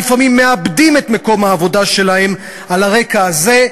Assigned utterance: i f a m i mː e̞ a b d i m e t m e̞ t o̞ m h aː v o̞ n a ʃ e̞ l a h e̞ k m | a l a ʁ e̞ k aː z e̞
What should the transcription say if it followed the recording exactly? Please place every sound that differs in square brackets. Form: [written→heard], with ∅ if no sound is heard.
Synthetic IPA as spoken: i f a m i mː e̞ a b d i m e t m e̞ [t→k] o̞ m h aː v o̞ [n→d] a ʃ e̞ l a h e̞ [k→∅] m | a l a ʁ e̞ k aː z e̞

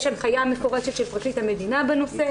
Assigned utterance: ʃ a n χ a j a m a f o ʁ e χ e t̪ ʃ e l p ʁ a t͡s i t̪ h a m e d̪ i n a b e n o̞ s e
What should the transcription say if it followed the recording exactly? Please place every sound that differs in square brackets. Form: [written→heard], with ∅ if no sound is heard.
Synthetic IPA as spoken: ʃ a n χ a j a m [a→e] f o ʁ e [χ→ʃ] e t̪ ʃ e l p ʁ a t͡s i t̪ h a m e d̪ i n a b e n o̞ s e

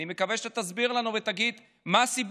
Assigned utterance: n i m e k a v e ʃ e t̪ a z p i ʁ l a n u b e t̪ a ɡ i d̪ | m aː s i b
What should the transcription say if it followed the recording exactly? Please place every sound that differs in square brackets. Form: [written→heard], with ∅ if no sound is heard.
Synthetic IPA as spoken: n i m e k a v e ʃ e t̪ a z [p→b] i ʁ l a n u [b→v] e t̪ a ɡ i d̪ | m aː s i b

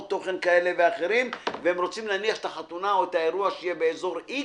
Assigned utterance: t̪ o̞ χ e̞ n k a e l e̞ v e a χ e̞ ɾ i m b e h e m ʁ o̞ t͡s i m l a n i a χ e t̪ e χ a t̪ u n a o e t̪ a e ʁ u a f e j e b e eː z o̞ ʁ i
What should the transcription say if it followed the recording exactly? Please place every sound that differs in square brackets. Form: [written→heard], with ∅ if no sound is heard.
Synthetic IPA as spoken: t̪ o̞ χ e̞ n k a e l e̞ v e a χ e̞ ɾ i m [b→v] e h e m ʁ o̞ t͡s i m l a n i a χ e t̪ [e→a] χ a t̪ u n a o e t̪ a e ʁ u a [f→ʃ] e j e b e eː z o̞ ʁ i

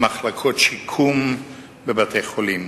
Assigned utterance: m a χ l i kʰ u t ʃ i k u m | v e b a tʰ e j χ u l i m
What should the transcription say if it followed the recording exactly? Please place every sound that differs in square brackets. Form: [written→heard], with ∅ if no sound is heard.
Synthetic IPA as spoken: m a χ l [i→a] kʰ [u→o] t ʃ i [k→kʰ] u m | [v→b] e b a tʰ e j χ [u→o] l i m

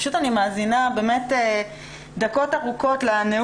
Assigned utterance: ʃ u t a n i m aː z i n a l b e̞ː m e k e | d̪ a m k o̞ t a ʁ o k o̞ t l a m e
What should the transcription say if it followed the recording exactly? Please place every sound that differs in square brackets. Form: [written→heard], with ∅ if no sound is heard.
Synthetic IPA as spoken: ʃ u t a n i m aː z i n a [l→∅] b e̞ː m e [k→t] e | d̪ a [m→∅] k o̞ t a ʁ [o→u] k o̞ t l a [m→n] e

